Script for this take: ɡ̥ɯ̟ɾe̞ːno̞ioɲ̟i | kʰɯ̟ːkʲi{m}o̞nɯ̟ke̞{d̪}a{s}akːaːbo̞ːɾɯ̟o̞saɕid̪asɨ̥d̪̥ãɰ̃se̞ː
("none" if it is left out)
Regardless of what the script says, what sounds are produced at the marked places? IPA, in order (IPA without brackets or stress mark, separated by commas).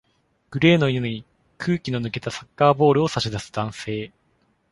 n, t̪, s